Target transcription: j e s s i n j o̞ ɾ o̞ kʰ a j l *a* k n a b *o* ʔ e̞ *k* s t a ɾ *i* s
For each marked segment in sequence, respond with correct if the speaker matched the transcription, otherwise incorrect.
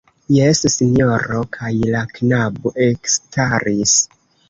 correct, correct, correct, correct

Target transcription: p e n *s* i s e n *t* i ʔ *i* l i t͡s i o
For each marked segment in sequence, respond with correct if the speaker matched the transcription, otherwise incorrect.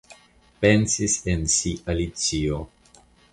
correct, incorrect: s, incorrect: a

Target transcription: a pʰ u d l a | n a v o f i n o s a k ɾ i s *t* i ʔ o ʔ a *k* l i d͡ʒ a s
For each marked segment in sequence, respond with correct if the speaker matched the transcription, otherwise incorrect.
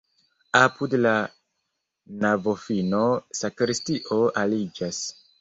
correct, incorrect: none

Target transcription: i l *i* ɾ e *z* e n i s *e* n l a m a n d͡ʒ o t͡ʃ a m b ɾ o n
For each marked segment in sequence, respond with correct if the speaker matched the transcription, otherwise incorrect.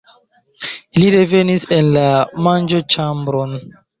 correct, incorrect: v, correct

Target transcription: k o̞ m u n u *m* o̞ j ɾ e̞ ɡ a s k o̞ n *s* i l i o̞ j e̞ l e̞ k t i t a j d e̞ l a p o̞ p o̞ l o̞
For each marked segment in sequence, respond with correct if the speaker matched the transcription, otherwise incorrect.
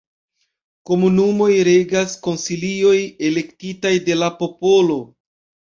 correct, correct

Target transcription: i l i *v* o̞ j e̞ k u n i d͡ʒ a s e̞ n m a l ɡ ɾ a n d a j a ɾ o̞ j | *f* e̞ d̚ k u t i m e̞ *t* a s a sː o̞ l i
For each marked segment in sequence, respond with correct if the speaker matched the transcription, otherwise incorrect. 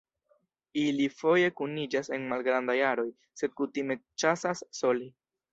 incorrect: f, incorrect: s, incorrect: t͡ʃ

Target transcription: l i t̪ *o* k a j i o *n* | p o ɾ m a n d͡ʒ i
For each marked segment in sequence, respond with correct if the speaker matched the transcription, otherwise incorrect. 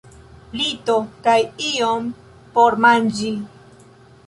correct, incorrect: m

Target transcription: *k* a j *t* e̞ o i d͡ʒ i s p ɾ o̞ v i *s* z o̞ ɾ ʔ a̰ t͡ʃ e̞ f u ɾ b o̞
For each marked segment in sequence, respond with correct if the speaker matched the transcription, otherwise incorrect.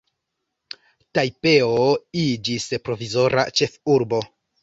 incorrect: t, incorrect: p, incorrect: none

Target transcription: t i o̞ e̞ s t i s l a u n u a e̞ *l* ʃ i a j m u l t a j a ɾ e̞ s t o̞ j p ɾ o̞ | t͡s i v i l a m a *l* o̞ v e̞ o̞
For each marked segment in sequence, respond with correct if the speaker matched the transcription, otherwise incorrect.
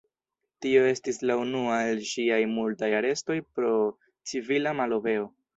correct, correct

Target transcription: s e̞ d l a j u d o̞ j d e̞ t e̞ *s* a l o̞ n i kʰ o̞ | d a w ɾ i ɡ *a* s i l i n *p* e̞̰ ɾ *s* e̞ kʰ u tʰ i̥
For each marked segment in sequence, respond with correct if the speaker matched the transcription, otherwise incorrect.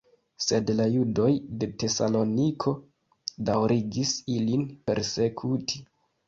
correct, incorrect: i, correct, correct

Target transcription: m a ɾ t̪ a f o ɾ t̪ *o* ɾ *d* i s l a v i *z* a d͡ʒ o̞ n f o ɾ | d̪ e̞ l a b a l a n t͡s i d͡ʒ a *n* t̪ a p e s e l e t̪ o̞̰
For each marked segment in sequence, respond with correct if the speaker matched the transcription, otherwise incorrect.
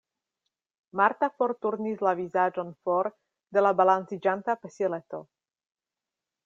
incorrect: u, incorrect: n, correct, correct

